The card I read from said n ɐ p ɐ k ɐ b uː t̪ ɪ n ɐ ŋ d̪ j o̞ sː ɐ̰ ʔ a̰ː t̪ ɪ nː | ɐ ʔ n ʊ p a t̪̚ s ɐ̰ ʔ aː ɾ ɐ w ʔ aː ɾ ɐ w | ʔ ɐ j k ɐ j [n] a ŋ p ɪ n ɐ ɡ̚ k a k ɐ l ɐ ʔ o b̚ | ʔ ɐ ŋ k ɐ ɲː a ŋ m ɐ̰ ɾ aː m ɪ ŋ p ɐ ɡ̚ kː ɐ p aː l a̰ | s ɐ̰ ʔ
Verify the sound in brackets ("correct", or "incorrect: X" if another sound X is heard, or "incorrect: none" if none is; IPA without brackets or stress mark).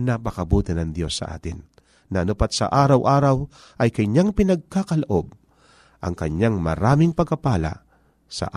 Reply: incorrect: ɲ